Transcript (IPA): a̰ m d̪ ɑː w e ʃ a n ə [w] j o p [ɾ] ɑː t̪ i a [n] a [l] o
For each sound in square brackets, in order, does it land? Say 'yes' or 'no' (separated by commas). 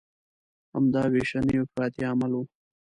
no, yes, no, yes